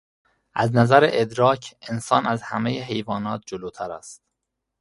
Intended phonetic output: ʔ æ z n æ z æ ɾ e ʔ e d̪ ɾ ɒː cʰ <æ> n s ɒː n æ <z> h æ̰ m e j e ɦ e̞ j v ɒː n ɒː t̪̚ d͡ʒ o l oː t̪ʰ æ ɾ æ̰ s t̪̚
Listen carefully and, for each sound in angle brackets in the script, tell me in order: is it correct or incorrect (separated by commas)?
incorrect, correct